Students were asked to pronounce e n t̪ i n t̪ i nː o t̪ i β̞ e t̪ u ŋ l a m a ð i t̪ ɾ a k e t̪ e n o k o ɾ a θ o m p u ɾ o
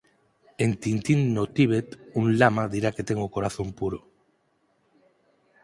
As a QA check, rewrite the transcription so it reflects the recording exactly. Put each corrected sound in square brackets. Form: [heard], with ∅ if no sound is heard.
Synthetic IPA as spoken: e n t̪ i n t̪ i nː o t̪ i β̞ e t̪ u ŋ l a m a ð i [∅] ɾ a k e t̪ e [ŋ] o k o ɾ a θ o m p u ɾ o